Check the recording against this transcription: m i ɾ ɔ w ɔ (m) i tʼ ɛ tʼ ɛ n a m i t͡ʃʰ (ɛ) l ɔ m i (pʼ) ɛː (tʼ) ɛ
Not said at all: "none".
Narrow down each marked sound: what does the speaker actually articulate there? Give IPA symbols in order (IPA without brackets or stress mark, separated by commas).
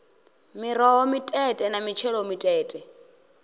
m, ɛ, tʼ, tʼ